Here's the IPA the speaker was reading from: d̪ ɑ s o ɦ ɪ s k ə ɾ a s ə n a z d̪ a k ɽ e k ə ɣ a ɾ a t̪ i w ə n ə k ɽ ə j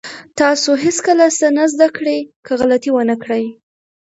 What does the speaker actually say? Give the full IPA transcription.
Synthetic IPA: t̪ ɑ s o ɦ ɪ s k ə l a s ə n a z d̪ a k ɽ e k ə ɣ a l a t̪ i w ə n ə k ɽ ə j

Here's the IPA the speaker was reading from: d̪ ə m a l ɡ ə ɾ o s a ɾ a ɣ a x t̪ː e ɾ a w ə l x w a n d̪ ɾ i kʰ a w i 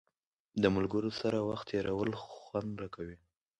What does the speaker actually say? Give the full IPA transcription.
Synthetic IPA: d̪ ə m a l ɡ ə ɾ o s a ɾ a w a x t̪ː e ɾ a w ə l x w a n d̪ ɾ a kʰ a w i

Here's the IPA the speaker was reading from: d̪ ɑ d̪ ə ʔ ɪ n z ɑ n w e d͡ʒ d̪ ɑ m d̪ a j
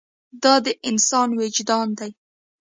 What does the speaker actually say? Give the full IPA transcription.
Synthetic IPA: d̪ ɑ d̪ ə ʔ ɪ n s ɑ n w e d͡ʒ d̪ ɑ n d̪ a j

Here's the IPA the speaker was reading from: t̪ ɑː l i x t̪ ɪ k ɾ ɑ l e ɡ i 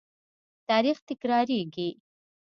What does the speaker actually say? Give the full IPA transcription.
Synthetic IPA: t̪ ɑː ɾ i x t̪ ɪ k ɾ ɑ ɾ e ɡ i

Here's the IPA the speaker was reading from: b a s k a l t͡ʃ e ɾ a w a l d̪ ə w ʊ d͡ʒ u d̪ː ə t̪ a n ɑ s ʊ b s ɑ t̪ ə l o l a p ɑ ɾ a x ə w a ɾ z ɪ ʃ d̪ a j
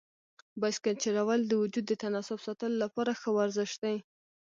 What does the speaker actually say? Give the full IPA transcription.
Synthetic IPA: b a s k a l t͡ʃ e ɾ a w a l d̪ ə w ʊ d͡ʒ u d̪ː ə t̪ a n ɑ s ʊ b s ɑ t̪ ə l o l a p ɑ ɾ a x ə w a ɾ z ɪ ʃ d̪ a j

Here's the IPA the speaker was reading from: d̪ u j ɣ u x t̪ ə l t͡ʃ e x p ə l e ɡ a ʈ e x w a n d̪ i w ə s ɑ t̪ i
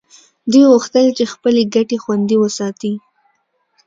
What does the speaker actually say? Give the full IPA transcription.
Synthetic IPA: d̪ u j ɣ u x t̪ ə l t͡ʃ e x p ə l e ɡ a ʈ e x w a n d̪ i w ə s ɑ t̪ i

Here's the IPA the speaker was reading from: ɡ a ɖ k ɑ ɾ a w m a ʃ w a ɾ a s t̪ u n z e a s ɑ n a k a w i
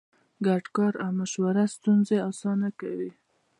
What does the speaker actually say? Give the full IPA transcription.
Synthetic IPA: ɡ a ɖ k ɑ ɾ a w m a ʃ w a ɾ a s t̪ u n z e ɑ s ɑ n a k a w i

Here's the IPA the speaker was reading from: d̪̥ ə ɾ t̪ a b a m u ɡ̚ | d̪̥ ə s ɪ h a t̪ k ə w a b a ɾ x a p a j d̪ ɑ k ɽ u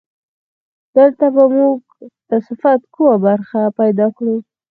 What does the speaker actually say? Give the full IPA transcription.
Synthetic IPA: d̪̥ ə l t̪ a b a m u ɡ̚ | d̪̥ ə s ɪ f a t̪ k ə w a b a ɾ x a p a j d̪ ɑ k ɽ u

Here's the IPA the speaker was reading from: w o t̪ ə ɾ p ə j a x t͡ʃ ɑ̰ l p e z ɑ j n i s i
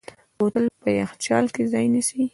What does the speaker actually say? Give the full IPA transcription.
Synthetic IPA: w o t̪ ə l p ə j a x t͡ʃ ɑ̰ l k e z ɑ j n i s i

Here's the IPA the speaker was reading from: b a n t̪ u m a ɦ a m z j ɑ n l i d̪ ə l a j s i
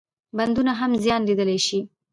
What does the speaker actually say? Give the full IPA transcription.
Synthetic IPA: b a n d̪ u n a ɦ a m z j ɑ n l i d̪ ə l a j ʃ i

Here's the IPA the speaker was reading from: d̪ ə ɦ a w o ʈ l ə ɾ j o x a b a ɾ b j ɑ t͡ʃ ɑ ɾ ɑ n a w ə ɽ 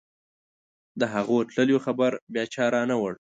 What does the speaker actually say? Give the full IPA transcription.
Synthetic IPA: d̪ ə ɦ a ɣ o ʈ l ə l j o x a b a ɾ b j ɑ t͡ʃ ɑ ɾ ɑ n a w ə ɽ

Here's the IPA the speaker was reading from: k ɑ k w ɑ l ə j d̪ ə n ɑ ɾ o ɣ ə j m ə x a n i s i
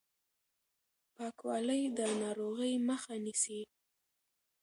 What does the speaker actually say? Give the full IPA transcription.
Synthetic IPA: p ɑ k w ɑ l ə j d̪ ə n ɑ ɾ o ɣ ə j m ə x a n i s i

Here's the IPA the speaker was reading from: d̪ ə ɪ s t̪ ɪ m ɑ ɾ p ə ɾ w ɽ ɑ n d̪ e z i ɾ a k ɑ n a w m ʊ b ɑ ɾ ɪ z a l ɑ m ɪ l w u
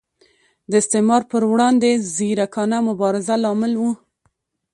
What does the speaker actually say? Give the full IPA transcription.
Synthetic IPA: d̪ ə ɪ s t̪ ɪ m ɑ ɾ p ə ɾ w ɽ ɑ n d̪ e z i ɾ a k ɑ n a m ʊ b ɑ ɾ ɪ z a l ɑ m ɪ l w u

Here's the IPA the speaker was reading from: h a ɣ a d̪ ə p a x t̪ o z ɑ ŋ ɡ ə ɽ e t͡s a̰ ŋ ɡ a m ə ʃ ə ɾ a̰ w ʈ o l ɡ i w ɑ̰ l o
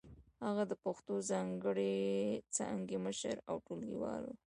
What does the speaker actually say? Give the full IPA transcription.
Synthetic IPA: h a ɣ a d̪ ə p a x t̪ o z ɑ ŋ ɡ ə ɽ e t͡s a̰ ŋ ɡ e m ə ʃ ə ɾ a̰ w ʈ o l ɡ i w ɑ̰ l o

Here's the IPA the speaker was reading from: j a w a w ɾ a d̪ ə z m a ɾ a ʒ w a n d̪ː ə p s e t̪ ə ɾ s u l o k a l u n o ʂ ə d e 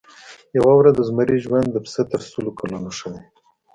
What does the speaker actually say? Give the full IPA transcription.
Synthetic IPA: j a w a w ɾ a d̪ ə z m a ɾ i ʒ w a n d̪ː ə p s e t̪ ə ɾ s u l o k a l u n o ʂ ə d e

